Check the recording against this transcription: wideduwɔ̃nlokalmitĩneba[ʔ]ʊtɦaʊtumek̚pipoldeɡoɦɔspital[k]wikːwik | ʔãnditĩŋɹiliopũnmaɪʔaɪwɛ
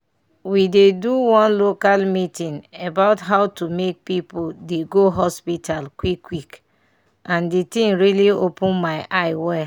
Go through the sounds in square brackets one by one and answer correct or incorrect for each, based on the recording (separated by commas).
incorrect, correct